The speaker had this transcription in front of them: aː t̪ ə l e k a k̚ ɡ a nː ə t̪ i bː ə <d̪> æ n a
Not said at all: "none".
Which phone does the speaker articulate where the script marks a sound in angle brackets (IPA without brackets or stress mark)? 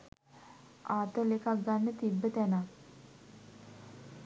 t̪